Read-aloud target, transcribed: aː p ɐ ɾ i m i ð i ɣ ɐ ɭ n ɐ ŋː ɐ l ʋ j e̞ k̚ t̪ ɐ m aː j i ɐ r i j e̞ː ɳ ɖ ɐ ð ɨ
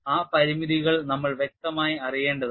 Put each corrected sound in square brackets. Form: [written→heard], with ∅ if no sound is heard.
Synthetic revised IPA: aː p ɐ ɾ i m i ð i ɣ ɐ ɭ n ɐ [ŋː→mː] ɐ [l→ɭ] ʋ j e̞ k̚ t̪ ɐ m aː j i ɐ r i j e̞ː ɳ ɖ ɐ ð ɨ